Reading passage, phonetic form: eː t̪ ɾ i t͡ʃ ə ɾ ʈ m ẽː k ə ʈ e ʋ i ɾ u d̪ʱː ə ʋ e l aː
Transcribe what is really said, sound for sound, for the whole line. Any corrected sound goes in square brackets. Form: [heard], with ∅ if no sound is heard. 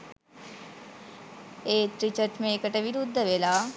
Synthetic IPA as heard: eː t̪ ɾ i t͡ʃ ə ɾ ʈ m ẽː k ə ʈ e ʋ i ɾ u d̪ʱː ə ʋ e l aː